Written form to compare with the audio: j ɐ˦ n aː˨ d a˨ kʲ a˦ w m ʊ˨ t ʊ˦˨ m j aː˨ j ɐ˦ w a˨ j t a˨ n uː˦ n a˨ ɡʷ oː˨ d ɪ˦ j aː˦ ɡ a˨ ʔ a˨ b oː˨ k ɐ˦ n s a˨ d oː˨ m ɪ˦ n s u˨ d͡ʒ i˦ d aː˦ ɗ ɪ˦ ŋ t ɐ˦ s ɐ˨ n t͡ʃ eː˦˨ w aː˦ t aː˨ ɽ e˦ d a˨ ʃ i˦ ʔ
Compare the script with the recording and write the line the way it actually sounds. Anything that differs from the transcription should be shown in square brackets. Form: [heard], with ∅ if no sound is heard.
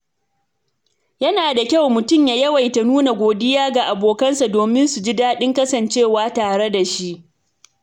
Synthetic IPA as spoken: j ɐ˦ n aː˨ d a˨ kʲ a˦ w m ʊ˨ t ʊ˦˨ m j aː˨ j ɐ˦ w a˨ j t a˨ n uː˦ n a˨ ɡʷ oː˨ d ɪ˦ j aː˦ ɡ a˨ ʔ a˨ b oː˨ k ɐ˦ n s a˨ d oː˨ m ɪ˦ n s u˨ d͡ʒ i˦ d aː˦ ɗ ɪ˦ ŋ [k] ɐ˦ s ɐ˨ n t͡ʃ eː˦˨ w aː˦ t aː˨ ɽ e˦ d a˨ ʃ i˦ ʔ